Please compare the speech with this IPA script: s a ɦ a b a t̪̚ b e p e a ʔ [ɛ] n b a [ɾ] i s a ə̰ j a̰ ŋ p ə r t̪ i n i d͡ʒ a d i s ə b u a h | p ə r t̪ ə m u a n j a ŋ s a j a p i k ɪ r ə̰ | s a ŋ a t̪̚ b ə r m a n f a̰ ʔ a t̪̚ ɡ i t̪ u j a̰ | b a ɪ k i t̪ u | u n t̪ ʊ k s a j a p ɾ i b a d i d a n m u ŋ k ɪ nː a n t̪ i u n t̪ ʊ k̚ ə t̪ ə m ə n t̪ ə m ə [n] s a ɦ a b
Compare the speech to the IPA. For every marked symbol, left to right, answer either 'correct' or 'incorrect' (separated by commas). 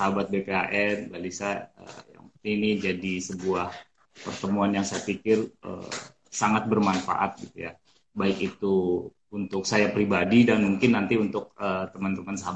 correct, incorrect, correct